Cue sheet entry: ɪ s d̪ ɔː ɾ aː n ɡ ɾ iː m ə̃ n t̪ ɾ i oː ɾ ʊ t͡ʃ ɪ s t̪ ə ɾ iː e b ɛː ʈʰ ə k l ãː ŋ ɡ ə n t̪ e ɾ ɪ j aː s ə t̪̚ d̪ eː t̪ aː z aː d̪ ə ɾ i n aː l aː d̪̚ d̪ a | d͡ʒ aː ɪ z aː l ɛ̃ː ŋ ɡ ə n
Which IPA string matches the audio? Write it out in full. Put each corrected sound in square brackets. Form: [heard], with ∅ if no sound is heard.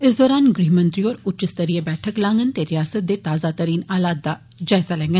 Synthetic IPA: ɪ s d̪ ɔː ɾ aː n ɡ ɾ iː m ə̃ n t̪ ɾ i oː ɾ ʊ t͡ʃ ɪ s t̪ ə ɾ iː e b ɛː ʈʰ ə k l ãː ŋ ɡ ə n t̪ e ɾ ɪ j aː s ə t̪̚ d̪ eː t̪ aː z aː [t̪] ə ɾ [iː] n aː l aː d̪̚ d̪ a | d͡ʒ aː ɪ z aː l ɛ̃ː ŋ ɡ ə n